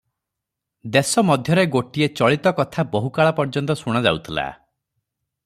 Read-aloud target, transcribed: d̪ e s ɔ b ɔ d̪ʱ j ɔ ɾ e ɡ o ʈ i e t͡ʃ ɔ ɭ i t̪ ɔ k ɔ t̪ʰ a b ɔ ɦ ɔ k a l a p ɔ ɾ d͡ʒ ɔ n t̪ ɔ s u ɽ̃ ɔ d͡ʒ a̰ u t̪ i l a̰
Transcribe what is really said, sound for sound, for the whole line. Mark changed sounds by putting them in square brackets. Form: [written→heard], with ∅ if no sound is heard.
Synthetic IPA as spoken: d̪ e s ɔ [b→m] ɔ d̪ʱ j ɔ ɾ e ɡ o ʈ i e t͡ʃ ɔ ɭ i t̪ ɔ k ɔ t̪ʰ a b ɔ ɦ [ɔ→u] k a [l→ɭ] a p ɔ ɾ d͡ʒ ɔ n t̪ ɔ s u ɽ̃ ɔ d͡ʒ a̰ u [t̪→t̪ʰ] i l a̰